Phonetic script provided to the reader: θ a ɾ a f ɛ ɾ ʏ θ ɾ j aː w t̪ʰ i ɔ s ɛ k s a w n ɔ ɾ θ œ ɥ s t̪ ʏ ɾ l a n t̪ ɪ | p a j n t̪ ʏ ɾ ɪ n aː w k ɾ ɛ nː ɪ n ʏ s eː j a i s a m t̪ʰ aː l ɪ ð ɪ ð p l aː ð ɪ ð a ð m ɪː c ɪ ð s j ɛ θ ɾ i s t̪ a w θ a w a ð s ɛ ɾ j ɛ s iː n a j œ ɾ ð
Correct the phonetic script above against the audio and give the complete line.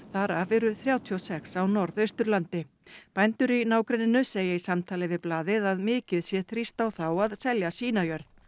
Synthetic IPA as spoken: θ a ɾ a v ɛ ɾ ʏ θ ɾ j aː w t̪ʰ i ɔ s ɛ k s a w n ɔ ɾ ð œ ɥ s t̪ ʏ ɾ l a n t̪ ɪ | p a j n t̪ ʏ ɾ i n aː w k ɾ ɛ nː ɪ n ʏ s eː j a i s a m t̪ʰ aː l ɪ v ɪ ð p l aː ð ɪ ð a ð m ɪː c ɪ ð s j ɛ θ ɾ i s t̪ a w θ a w a ð s ɛ l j a s iː n a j œ ɾ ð